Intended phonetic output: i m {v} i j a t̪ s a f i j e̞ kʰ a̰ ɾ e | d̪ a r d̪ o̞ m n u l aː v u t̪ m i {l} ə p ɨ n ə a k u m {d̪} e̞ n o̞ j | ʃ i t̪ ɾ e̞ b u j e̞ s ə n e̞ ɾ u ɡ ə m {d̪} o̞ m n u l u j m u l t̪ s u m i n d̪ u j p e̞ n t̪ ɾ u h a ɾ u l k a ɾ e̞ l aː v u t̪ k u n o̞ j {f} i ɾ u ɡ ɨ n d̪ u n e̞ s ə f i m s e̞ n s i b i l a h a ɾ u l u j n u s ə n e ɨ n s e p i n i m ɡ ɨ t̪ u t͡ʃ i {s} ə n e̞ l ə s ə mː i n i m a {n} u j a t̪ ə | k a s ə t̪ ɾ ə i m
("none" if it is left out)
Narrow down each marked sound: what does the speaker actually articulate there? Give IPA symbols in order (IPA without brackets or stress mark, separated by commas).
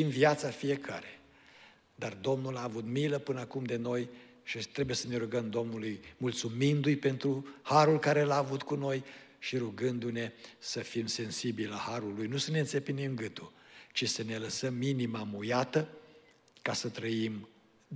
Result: v, l, d̪, d̪, ʃ, s, m